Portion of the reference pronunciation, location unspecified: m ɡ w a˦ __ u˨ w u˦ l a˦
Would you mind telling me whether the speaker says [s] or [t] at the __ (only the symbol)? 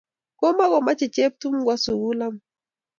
s